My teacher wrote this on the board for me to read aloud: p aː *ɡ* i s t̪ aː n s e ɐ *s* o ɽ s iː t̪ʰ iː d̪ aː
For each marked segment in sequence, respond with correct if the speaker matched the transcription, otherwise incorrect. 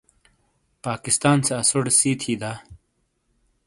incorrect: k, correct

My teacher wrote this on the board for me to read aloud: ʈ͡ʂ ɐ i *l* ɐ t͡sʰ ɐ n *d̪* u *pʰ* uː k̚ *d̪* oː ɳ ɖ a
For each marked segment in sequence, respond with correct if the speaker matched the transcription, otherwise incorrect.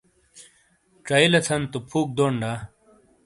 correct, incorrect: t̪, correct, correct

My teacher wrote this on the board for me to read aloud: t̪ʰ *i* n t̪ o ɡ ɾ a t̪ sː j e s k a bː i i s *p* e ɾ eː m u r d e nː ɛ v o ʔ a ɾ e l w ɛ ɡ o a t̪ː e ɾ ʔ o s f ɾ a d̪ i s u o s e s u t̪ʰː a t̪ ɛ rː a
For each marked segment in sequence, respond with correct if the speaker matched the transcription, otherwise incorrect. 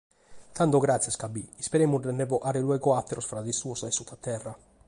incorrect: a, correct

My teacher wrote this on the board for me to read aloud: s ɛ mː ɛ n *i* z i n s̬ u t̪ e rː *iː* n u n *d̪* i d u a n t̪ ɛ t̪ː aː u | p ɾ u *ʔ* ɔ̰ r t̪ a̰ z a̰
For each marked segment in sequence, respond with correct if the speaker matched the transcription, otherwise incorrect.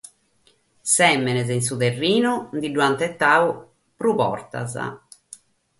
incorrect: ɛ, correct, correct, incorrect: p

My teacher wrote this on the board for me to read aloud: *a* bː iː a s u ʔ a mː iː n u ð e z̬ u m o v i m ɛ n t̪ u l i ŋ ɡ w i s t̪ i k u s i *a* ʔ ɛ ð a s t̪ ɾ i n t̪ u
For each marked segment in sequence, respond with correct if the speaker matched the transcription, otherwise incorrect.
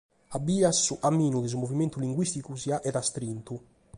correct, correct

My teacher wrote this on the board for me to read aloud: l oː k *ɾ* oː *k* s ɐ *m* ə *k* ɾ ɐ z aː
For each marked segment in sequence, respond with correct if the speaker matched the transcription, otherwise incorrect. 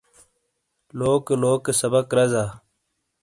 incorrect: l, correct, incorrect: b, correct

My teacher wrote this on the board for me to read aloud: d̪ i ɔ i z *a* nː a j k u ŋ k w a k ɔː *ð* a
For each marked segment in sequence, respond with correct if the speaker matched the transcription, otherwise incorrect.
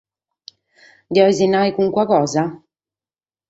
incorrect: i, incorrect: z

